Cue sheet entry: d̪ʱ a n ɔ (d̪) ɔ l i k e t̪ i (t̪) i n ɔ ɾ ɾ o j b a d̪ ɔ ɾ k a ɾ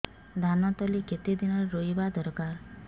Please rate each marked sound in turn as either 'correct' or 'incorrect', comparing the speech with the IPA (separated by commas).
incorrect, incorrect